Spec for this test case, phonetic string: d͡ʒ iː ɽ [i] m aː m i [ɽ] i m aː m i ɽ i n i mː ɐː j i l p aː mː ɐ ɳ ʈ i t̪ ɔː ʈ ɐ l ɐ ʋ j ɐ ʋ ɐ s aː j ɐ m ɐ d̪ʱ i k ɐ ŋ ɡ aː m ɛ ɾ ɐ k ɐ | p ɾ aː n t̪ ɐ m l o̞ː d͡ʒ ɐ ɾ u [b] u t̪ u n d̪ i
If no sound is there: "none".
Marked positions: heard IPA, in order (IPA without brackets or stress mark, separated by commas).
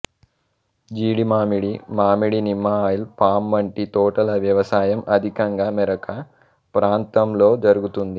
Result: i, ɽ, ɡ